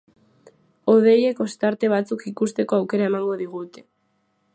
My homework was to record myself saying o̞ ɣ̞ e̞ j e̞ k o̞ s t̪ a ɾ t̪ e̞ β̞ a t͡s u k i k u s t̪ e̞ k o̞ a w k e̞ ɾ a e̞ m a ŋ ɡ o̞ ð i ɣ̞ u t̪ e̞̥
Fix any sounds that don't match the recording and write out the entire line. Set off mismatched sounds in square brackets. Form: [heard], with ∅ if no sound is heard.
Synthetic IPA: o̞ [ð̞] e̞ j e̞ k o̞ s t̪ a ɾ t̪ e̞ β̞ a t͡s u k i k u s t̪ e̞ k o̞ a w k e̞ ɾ a e̞ m a ŋ ɡ o̞ ð i ɣ̞ u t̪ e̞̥